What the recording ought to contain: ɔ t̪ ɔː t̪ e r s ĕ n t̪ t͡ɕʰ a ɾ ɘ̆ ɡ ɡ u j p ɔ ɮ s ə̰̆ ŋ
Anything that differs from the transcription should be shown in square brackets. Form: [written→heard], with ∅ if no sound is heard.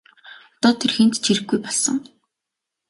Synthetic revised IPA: ɔ t̪ ɔː [t̪→t̪ʰ] e r [s→x] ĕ n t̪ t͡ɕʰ [a→i] ɾ ɘ̆ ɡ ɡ u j p ɔ ɮ s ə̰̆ ŋ